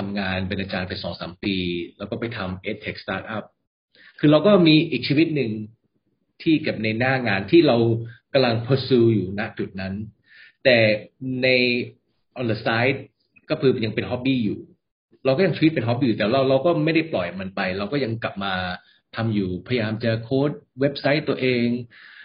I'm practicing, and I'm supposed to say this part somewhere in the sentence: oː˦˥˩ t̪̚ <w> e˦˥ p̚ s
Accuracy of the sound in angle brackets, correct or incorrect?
correct